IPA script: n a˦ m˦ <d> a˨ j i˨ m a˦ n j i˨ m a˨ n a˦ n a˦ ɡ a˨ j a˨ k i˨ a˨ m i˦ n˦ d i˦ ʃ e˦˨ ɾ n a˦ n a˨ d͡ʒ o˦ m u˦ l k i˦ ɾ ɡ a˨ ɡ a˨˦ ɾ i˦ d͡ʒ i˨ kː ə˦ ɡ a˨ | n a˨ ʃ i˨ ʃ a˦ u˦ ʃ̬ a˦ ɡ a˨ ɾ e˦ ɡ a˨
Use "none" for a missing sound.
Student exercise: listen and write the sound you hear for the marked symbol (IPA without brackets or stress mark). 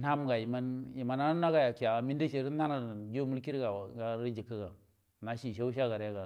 ɡ